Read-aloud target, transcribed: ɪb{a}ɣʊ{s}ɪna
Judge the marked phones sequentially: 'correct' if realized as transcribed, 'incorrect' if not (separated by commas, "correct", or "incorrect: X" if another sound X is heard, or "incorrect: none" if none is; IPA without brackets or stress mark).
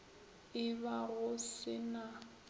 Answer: correct, correct